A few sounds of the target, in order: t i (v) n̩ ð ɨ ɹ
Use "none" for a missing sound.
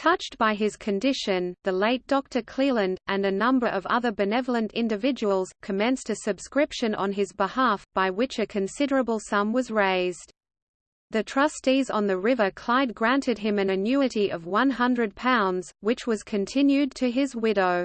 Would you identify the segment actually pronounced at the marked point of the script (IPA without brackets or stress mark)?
z